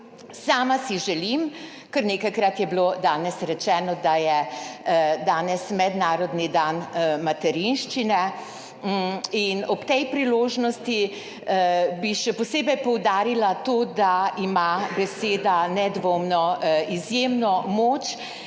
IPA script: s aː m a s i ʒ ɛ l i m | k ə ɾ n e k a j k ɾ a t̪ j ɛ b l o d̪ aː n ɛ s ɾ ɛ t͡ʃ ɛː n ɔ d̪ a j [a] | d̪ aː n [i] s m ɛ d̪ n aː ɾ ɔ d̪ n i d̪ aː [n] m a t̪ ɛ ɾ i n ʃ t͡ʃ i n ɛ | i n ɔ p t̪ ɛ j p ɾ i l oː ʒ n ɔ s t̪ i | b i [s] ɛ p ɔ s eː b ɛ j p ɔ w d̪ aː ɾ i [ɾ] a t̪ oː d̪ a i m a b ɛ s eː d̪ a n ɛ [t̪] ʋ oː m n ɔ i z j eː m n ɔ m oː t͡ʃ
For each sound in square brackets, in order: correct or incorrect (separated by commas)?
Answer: incorrect, incorrect, correct, incorrect, incorrect, incorrect